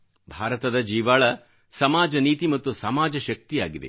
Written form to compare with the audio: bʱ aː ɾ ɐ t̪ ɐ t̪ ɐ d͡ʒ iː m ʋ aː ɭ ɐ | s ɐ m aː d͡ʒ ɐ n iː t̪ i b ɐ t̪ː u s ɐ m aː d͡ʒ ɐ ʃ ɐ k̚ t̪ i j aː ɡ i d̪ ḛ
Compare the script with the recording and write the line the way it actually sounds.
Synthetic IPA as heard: bʱ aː ɾ ɐ t̪ ɐ d̪ ɐ d͡ʒ iː ʋ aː ɭ ɐ | s ɐ m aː d͡ʒ ɐ n iː t̪ i m ɐ t̪ː u s ɐ m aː d͡ʒ ɐ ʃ ɐ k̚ t̪ i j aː ɡ i d̪ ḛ